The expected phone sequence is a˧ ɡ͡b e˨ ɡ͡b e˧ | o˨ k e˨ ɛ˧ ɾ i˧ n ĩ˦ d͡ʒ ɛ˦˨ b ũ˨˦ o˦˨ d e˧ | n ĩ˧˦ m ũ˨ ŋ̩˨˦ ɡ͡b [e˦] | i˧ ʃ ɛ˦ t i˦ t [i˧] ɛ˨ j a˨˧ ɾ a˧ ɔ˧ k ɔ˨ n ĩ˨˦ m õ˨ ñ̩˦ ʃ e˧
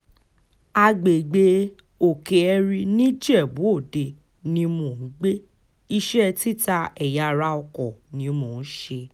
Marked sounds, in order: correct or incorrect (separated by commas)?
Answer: correct, incorrect